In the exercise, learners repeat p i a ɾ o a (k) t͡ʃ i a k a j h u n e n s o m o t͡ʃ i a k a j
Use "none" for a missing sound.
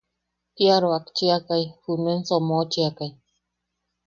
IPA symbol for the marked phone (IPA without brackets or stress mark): k